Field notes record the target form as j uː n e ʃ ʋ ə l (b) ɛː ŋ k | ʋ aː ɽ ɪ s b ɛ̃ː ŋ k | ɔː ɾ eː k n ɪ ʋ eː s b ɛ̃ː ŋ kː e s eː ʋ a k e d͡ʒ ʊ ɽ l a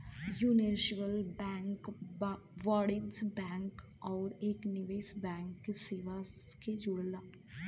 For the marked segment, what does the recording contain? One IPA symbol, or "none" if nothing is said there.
b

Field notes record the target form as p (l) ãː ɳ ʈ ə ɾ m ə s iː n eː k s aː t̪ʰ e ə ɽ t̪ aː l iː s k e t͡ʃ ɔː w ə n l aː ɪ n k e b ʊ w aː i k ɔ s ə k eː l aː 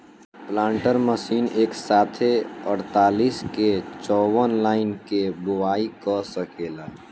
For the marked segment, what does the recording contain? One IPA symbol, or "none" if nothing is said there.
l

